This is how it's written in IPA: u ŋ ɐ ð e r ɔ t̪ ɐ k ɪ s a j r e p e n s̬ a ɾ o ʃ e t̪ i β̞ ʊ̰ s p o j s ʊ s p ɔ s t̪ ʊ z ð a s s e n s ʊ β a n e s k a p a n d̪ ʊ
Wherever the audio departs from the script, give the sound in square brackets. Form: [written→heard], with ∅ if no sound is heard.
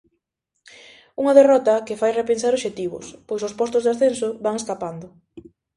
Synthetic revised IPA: u ŋ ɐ ð e r ɔ t̪ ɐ k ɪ [s→f] a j r e p e n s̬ a ɾ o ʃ e t̪ i β̞ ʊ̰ s p o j s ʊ s p ɔ s t̪ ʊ z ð a s [s→θ] e n s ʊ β a [n→ŋ] e s k a p a n d̪ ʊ